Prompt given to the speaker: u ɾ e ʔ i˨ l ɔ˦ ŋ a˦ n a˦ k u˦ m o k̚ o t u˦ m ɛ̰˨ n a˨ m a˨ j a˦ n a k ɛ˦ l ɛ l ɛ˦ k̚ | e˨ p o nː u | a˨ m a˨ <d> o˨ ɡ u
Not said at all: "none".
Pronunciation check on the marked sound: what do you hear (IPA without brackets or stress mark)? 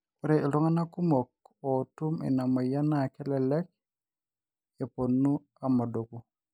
d